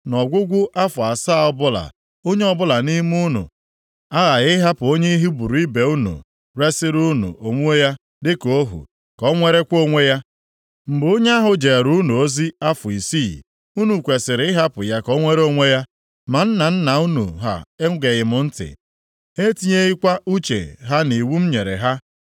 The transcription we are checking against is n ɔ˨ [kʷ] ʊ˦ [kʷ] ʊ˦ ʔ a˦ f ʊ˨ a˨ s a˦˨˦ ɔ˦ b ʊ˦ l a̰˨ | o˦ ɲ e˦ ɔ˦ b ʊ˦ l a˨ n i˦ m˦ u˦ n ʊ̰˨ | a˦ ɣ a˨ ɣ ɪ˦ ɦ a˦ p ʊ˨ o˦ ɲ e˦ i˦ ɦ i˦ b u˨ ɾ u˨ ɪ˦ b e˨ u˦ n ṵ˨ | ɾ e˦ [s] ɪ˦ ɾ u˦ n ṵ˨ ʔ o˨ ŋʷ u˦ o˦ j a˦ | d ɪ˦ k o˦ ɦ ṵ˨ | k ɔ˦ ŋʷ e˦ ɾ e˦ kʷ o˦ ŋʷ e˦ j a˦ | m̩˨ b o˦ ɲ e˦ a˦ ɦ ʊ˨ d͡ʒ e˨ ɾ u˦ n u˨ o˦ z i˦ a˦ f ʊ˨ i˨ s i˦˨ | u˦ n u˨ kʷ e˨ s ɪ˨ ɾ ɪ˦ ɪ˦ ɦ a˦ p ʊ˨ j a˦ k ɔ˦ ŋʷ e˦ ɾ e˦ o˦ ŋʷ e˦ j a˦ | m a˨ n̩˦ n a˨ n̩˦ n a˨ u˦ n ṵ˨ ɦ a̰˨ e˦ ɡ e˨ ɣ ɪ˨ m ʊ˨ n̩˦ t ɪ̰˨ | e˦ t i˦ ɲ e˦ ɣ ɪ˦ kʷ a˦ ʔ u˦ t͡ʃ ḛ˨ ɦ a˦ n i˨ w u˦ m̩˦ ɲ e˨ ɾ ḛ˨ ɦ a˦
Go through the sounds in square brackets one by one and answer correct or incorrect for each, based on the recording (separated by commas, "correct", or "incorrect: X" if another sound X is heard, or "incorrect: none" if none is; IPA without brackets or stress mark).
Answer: incorrect: ɡʷ, incorrect: ɡʷ, correct